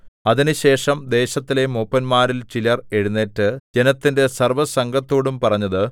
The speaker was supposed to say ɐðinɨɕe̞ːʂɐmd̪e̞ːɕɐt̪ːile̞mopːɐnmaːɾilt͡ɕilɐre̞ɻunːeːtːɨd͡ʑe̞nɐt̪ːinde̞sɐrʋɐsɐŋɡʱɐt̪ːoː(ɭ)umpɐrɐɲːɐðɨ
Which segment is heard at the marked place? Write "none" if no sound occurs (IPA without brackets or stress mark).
ɽ